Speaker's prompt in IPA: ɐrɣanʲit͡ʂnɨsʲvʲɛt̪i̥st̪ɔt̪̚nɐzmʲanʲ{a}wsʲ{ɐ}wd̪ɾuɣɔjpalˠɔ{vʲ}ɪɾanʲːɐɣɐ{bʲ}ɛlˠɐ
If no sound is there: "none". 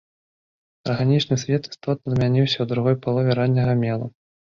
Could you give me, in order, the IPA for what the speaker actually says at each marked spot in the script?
i, ɐ, vʲ, mʲ

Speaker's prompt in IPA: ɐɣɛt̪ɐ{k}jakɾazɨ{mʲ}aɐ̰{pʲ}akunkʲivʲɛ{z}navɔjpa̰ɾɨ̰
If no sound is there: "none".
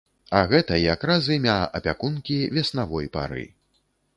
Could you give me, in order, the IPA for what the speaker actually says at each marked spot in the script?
none, mʲ, pʲ, s

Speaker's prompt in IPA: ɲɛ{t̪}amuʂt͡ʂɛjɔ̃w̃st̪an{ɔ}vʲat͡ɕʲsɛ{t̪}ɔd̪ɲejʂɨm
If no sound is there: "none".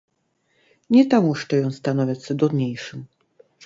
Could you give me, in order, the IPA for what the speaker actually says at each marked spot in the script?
t̪, ɔ, d̪

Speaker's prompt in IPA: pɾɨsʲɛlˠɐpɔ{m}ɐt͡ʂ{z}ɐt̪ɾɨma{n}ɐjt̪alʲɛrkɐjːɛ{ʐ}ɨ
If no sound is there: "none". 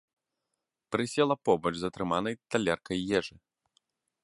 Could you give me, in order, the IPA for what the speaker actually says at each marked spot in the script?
b, z, n, ʐ

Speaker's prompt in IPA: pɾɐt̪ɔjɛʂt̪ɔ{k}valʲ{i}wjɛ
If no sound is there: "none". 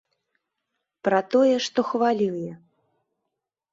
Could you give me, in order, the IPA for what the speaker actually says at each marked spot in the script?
x, i

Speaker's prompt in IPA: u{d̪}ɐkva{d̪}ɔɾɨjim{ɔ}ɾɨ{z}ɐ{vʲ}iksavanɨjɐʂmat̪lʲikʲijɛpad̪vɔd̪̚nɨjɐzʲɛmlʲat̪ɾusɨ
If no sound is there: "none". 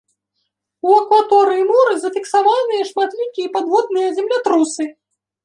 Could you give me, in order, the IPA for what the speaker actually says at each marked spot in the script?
none, t̪, ɔ, z, fʲ

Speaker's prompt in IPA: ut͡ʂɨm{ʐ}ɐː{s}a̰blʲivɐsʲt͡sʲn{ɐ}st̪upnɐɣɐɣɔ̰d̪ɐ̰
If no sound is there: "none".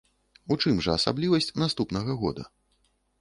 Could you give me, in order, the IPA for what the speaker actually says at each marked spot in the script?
ʐ, s, a

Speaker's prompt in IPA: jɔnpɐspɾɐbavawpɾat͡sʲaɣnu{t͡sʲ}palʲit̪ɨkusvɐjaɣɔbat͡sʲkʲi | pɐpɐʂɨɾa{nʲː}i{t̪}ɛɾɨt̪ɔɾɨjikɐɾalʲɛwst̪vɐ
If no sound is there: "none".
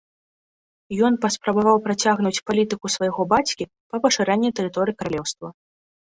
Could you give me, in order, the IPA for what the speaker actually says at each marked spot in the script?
t͡sʲ, nʲː, t̪

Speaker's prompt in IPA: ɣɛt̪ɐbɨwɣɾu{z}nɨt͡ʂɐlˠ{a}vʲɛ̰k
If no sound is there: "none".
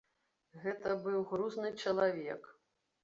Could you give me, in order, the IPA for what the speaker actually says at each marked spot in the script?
z, a

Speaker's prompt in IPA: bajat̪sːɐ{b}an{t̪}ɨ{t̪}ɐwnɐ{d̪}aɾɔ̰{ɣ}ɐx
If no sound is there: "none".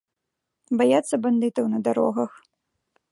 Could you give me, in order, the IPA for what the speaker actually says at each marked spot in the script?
b, d̪, t̪, d̪, ɣ

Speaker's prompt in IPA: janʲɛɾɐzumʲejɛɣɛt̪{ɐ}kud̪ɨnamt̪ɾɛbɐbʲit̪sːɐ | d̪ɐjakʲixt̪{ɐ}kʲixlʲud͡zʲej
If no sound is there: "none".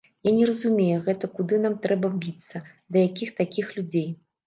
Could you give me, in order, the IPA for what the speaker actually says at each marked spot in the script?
ɐ, a

